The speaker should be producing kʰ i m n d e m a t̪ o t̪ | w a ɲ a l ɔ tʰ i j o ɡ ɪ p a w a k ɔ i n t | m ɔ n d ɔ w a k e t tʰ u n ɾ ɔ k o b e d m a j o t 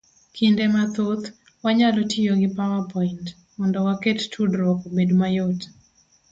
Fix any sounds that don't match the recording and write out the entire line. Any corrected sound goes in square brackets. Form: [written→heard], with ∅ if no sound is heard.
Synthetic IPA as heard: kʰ i [m→∅] n d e m a t̪ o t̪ | w a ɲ a l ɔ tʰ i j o ɡ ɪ p a w a [k→p] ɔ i n t | m ɔ n d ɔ w a k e t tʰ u [n→d] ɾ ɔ k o b e d m a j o t